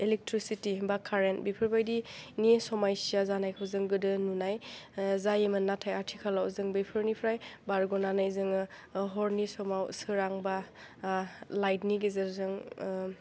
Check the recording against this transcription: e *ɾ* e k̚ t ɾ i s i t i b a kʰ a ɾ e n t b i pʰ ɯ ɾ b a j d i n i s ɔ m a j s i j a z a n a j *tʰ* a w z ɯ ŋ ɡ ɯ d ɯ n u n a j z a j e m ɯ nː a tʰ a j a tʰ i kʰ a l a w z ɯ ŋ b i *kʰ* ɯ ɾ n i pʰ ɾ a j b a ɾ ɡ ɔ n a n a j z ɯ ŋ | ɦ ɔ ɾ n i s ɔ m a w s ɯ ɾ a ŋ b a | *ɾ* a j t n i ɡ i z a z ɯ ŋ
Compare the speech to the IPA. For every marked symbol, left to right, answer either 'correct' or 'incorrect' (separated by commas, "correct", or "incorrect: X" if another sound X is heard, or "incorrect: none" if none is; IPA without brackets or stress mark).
incorrect: l, incorrect: kʰ, incorrect: pʰ, incorrect: l